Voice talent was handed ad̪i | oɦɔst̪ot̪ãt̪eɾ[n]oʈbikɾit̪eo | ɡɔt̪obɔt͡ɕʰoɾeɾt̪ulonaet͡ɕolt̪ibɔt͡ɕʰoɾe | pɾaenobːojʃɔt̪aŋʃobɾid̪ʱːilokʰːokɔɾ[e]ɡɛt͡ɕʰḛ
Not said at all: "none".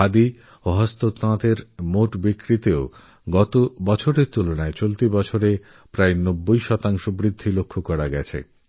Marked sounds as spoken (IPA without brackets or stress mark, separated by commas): m, a